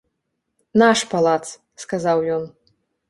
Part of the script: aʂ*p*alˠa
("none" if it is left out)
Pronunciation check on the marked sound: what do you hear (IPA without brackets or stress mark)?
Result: p